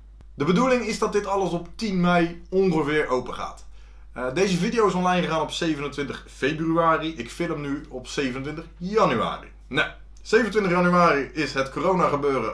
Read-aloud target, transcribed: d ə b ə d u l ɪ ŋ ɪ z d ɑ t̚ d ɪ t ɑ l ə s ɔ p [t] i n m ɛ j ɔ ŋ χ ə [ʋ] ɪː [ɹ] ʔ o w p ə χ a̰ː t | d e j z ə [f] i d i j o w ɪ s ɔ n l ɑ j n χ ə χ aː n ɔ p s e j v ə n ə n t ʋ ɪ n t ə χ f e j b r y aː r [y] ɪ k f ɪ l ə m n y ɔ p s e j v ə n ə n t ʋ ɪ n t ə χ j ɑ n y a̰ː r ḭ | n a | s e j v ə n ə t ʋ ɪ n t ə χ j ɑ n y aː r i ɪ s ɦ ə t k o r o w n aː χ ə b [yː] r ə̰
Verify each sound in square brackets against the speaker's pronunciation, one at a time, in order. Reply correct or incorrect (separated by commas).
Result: correct, incorrect, correct, incorrect, incorrect, incorrect